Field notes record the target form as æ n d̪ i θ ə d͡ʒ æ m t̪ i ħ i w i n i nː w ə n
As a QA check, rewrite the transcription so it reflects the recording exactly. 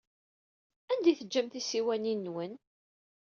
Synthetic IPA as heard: æ n d̪ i θ ə d͡ʒː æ m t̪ i s i w æ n i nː w ə n